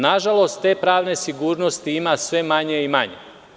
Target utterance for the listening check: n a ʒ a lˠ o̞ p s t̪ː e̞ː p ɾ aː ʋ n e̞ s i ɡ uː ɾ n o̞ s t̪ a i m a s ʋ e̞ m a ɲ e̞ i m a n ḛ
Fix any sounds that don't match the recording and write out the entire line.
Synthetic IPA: n a ʒ a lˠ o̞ s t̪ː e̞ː p ɾ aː ʋ n e̞ s i ɡ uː ɾ n o̞ s t̪ i i m a s ʋ e̞ m a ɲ e̞ i m a ɲ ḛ